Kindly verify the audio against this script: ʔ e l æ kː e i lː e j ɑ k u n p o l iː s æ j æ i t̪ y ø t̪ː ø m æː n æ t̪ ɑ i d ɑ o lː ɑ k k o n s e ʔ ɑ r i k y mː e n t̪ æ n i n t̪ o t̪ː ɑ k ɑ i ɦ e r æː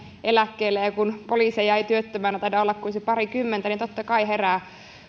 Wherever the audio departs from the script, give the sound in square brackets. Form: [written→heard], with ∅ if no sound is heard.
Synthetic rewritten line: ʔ e l æ kː e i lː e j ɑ k u n p o l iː s [æ→e] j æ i t̪ y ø t̪ː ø m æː n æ t̪ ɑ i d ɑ o lː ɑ k k [o→u] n s e [ʔ→p] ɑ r i k y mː e n t̪ æ n i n t̪ o t̪ː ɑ k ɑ i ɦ e r æː